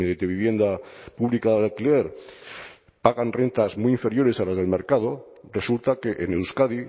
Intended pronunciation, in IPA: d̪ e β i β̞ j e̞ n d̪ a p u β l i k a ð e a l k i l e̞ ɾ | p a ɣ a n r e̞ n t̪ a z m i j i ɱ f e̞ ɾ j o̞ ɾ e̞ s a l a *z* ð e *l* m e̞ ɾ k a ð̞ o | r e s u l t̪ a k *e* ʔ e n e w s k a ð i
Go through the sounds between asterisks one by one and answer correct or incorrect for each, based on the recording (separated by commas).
correct, correct, correct